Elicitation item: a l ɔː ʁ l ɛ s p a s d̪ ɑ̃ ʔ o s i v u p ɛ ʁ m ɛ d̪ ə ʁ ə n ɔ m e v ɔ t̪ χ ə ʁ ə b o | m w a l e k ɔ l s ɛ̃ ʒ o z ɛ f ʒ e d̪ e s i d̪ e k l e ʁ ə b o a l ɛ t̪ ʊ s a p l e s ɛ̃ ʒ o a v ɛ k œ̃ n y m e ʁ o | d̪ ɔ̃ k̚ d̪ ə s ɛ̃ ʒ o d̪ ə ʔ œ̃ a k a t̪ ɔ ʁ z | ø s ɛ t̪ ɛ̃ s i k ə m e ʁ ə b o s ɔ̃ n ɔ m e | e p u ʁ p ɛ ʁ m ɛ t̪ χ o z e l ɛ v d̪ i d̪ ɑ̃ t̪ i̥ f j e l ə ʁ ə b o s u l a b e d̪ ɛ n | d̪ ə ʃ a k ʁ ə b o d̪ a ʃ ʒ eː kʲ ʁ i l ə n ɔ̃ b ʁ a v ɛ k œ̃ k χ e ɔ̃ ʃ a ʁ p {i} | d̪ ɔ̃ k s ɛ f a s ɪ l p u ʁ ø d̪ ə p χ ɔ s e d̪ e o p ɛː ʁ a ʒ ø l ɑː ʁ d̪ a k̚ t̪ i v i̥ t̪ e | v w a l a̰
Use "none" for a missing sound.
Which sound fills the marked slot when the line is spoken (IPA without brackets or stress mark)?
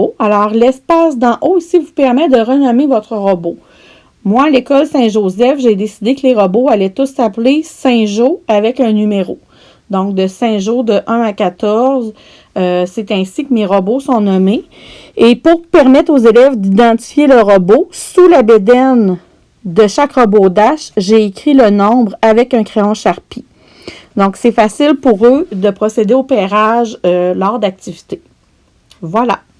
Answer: i